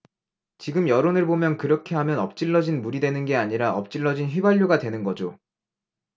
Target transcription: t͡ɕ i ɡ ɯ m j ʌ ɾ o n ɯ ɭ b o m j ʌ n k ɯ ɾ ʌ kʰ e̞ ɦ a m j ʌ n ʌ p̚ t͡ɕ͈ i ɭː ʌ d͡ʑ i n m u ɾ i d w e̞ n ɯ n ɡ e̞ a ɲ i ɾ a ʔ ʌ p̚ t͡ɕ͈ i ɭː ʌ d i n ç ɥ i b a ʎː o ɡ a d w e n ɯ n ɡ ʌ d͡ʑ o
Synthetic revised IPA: t͡ɕ i ɡ ɯ m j ʌ ɾ o n ɯ ɭ b o m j ʌ n k ɯ ɾ ʌ kʰ e̞ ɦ a m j ʌ n ʌ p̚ t͡ɕ͈ i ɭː ʌ d͡ʑ i n m u ɾ i d w e̞ n ɯ n ɡ e̞ a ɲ i ɾ a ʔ ʌ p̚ t͡ɕ͈ i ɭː ʌ d͡ʑ i n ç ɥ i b a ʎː o ɡ a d w e n ɯ n ɡ ʌ d͡ʑ o